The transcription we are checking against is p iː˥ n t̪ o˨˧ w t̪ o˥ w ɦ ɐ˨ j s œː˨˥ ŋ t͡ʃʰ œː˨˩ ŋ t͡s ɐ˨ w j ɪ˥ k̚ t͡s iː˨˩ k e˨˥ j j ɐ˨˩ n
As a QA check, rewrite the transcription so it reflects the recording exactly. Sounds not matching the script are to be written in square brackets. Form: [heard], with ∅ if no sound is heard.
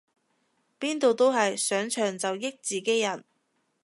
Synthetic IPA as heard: p iː˥ n t̪ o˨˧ w t̪ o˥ w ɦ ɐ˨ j s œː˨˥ ŋ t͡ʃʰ œː˨˩ ŋ t͡s ɐ˨ w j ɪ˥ k̚ t͡s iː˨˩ k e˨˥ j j ɐ˨˩ n